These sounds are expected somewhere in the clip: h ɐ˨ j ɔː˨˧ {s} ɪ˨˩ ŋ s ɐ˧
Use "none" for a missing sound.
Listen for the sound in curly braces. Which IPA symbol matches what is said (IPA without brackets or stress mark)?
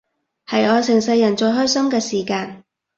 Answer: s